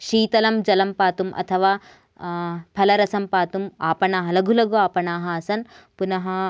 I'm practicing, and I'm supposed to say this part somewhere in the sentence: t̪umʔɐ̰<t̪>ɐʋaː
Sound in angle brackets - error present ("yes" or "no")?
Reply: yes